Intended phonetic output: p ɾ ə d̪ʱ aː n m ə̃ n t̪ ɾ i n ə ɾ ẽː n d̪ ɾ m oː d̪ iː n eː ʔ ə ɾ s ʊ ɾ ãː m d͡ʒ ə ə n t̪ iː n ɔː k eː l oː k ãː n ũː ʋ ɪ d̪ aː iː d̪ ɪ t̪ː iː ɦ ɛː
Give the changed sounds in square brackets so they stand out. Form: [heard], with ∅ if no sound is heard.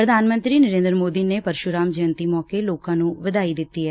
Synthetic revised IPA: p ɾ ə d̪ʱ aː n m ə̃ n t̪ ɾ [iː] n ə ɾ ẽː n d̪ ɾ m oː d̪ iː n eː [p] ə ɾ [ʃ] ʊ ɾ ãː m d͡ʒ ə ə n t̪ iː [m] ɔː k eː l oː k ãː n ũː ʋ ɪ d̪ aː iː d̪ ɪ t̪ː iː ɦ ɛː